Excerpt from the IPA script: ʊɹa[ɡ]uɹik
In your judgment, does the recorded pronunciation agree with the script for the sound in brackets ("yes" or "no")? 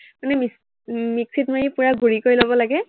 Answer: yes